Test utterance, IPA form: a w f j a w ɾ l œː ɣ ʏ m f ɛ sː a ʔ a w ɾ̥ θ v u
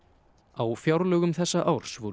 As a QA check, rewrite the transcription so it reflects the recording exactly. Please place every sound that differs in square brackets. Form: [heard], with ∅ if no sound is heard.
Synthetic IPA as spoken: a w f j a w ɾ l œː ɣ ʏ m [θ] ɛ sː a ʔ a w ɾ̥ [s] v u